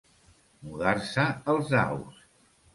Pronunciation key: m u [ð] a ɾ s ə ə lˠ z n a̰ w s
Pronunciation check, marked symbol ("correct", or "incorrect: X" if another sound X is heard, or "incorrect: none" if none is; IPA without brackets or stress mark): correct